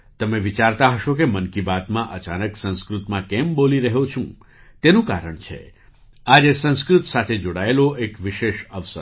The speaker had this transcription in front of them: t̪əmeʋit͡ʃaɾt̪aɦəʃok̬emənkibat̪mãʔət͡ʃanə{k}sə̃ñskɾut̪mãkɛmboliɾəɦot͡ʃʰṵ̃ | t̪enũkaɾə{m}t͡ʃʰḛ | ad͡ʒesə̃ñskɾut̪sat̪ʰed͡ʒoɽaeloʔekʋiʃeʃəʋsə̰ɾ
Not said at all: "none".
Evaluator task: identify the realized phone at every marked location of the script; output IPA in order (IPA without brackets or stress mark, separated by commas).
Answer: k, ɳ